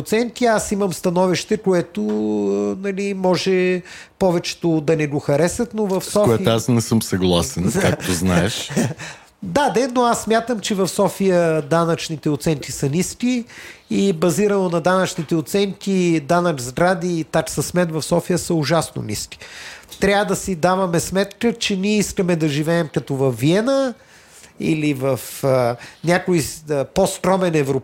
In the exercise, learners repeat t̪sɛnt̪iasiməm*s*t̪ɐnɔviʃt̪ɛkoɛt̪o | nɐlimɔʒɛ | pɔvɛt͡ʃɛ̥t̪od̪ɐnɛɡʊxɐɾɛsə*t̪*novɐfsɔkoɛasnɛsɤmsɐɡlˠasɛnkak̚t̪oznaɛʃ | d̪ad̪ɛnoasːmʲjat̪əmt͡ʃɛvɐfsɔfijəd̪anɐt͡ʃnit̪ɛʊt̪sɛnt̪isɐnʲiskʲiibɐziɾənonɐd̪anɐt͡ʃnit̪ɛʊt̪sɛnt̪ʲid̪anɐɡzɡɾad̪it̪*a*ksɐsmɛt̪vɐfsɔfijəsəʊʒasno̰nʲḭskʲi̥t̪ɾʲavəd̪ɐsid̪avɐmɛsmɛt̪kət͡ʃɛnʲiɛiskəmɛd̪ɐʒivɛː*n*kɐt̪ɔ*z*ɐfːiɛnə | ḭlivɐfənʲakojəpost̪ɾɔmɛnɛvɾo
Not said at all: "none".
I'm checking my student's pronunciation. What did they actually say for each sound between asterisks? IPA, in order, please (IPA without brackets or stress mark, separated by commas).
s, t̪, a, m, v